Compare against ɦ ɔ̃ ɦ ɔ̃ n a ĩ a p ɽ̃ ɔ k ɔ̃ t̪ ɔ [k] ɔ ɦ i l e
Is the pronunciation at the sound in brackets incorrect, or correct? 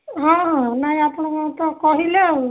correct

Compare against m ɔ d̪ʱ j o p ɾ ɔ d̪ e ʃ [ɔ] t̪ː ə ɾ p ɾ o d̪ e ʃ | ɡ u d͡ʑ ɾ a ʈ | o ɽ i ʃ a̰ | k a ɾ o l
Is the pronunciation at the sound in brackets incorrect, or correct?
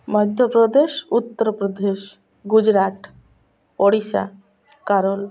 incorrect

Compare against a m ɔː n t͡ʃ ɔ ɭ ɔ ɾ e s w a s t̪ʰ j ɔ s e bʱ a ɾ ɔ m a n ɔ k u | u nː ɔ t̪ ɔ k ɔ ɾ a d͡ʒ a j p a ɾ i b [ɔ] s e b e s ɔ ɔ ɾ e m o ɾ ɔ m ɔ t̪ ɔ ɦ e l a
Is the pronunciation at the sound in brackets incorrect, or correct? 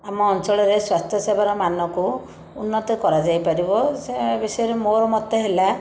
correct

